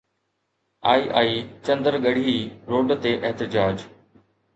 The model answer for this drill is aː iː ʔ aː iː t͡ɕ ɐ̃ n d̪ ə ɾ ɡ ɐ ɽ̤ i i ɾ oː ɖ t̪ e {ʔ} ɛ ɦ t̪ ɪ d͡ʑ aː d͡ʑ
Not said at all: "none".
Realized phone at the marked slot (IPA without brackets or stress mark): ʔ